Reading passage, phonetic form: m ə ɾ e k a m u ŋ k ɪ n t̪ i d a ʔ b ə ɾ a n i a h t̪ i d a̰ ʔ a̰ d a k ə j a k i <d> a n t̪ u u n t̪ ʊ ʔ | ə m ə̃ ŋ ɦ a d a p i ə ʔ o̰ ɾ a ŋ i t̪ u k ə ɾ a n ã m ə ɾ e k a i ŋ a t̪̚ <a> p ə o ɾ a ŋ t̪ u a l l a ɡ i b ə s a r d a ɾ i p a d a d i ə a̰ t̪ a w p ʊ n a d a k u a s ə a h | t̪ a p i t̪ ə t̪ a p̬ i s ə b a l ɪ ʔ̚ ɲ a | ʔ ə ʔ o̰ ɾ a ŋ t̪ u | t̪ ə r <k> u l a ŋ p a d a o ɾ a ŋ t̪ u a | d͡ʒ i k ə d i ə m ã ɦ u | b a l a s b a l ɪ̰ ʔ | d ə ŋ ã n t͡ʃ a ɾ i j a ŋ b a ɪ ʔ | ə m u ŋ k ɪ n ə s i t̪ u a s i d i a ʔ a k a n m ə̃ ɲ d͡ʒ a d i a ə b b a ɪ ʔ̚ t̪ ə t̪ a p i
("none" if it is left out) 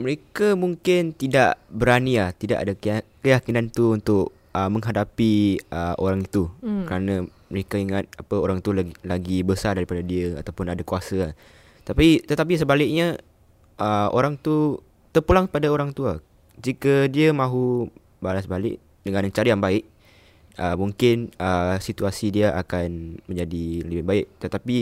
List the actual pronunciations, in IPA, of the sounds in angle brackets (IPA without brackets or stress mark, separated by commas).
n, a, p